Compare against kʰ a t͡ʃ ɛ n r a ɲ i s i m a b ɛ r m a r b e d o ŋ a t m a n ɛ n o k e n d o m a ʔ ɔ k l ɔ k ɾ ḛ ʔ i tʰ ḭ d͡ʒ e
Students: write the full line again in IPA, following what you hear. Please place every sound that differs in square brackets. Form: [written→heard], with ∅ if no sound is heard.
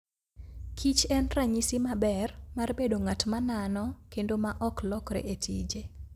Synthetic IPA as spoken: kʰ [a→i] t͡ʃ ɛ n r a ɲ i s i m a b ɛ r m a r b e d o ŋ a t m a n [ɛ→a] n [o→ɔ] k e n d o m a ʔ ɔ k l ɔ k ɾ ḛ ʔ [i→e] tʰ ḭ d͡ʒ e